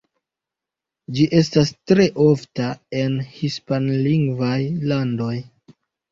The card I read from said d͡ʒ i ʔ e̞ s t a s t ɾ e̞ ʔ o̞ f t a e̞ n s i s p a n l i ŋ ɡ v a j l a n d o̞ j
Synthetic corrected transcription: d͡ʒ i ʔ e̞ s t a s t ɾ e̞ ʔ o̞ f t a e̞ n h i s p a n l i ŋ ɡ v a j l a n d o̞ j